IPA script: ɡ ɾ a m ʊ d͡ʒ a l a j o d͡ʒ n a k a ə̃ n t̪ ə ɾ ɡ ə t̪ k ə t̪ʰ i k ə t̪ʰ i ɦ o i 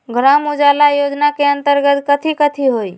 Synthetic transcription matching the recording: ɡ ɾ a m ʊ d͡ʒ a l a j o d͡ʒ n a k e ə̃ n t̪ ə ɾ ɡ ə t̪ k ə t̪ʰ i k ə t̪ʰ i ɦ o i